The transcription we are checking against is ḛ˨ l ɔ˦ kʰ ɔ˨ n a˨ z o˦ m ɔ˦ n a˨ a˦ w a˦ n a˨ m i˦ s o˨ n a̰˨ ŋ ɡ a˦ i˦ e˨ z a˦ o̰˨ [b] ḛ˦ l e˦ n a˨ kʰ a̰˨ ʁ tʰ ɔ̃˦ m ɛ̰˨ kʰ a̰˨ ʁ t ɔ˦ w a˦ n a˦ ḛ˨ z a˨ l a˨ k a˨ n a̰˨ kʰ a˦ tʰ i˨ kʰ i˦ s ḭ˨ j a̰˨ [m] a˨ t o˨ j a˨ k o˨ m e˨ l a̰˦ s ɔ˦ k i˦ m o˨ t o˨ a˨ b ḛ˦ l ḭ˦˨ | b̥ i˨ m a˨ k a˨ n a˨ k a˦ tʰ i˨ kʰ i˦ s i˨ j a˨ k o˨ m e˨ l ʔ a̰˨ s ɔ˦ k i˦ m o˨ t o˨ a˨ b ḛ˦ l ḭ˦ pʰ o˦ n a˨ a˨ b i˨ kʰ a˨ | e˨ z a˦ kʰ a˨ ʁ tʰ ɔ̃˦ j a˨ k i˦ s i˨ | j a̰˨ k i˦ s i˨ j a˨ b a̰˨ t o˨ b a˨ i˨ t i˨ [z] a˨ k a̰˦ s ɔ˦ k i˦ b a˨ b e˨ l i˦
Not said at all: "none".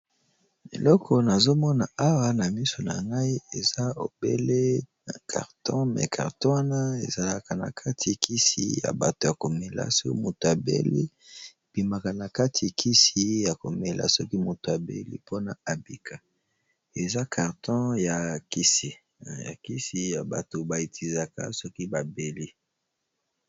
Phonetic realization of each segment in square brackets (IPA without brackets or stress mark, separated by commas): b, b, z